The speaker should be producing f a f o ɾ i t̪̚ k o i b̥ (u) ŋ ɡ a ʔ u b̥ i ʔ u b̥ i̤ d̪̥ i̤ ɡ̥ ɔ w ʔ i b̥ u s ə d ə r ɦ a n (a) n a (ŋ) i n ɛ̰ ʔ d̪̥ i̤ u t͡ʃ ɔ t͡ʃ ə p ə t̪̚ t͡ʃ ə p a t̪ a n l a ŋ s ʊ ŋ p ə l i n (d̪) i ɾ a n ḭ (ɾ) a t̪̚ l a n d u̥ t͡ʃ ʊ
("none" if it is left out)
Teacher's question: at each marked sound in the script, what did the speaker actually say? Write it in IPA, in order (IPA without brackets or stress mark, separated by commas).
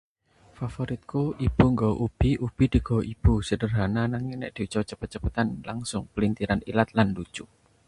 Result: u, a, ŋ, t̪, l